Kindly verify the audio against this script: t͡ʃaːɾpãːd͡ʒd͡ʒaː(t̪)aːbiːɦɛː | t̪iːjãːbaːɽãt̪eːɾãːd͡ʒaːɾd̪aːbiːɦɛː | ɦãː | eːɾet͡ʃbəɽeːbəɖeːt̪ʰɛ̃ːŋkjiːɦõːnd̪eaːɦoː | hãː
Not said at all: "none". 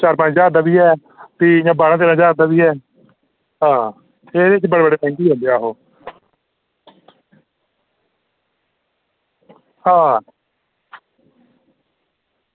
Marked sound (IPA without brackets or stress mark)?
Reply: d̪